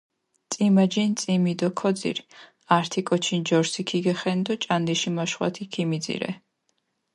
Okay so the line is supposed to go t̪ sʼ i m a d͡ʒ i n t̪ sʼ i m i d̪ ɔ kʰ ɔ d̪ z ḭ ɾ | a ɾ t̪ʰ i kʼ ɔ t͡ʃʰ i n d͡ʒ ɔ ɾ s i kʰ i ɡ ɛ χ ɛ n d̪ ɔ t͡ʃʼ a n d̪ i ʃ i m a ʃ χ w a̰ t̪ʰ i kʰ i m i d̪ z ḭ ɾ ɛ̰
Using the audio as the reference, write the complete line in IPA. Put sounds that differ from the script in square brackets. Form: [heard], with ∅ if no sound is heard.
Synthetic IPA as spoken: t̪ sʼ i m a d͡ʒ i n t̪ sʼ i m i d̪ ɔ kʰ ɔ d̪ z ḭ ɾ | a ɾ t̪ʰ i kʼ ɔ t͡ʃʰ i n d͡ʒ ɔ ɾ s i kʰ i ɡ ɛ χ ɛ n d̪ ɔ t͡ʃʼ a n d̪ i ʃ i m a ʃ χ w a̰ t̪ʰ i kʰ i m i d̪ z ḭ ɾ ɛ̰